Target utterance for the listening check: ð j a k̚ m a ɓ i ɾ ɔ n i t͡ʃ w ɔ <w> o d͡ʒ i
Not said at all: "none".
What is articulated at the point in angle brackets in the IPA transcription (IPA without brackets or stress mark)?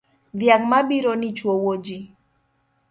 w